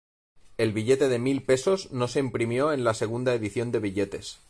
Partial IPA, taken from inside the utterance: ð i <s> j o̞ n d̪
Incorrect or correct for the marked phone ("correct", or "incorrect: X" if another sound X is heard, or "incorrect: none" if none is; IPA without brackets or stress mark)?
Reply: incorrect: θ